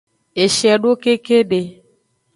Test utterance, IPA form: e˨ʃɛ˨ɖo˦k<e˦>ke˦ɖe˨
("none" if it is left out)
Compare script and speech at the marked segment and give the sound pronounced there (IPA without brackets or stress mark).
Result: e˦